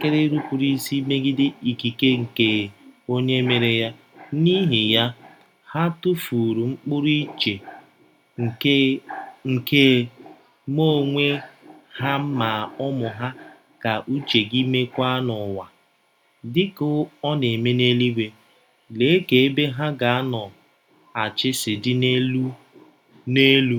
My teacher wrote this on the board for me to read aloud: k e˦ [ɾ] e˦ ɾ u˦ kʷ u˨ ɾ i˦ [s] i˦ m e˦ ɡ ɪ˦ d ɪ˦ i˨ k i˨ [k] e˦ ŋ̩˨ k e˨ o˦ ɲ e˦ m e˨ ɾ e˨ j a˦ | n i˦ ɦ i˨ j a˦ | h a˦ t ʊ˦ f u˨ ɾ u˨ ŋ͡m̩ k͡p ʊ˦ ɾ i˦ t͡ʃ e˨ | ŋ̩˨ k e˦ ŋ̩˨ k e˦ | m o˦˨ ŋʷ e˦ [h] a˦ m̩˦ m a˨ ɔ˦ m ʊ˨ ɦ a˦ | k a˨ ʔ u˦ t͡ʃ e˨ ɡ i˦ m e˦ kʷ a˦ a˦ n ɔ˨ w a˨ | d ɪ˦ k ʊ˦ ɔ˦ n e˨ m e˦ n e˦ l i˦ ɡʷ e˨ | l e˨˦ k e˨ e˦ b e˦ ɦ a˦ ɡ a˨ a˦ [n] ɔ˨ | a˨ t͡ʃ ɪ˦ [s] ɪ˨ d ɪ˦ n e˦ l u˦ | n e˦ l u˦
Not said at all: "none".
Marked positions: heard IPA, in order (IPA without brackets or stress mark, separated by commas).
ɾ, s, k, h, n, s